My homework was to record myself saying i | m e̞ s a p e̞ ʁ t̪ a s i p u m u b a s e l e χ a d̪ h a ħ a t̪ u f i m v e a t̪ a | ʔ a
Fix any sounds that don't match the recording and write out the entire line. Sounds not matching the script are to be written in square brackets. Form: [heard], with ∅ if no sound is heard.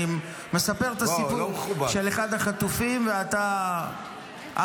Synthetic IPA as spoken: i | m e̞ s a p e̞ ʁ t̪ a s i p u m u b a [ʃ] e l e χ a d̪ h a [χ] a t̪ u f i m v e a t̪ a | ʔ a

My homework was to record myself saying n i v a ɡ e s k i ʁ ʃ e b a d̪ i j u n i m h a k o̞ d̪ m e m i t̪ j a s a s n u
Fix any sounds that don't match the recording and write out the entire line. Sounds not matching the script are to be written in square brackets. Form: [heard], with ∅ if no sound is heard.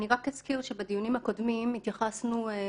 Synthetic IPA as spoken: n i [ʁ] a [k] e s k i ʁ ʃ e b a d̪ i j u n i m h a k o̞ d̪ m [i] m i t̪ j a [χ] a s n u

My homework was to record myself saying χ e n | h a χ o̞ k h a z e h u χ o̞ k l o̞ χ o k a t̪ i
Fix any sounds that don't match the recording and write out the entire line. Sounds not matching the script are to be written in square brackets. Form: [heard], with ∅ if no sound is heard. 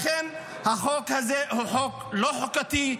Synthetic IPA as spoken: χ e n | h a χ o̞ k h a z e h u [ħ] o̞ k l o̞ [ħ] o k a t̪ i

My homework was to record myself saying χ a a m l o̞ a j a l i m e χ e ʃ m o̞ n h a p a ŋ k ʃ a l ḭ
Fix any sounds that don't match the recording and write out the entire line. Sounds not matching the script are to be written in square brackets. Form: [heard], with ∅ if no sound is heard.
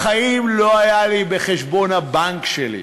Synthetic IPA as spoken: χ a [i] m l o̞ a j a l i [b] e χ e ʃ [b] o̞ n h a [b] a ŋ k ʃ [e] l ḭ

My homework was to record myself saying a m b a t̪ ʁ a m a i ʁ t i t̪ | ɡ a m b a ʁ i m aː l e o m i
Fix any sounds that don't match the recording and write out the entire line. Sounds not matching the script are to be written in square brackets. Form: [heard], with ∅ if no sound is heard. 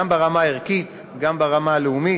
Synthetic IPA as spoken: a m b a [∅] ʁ a m a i ʁ [k] i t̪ | ɡ a m b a ʁ [a] m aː l e [u] m i

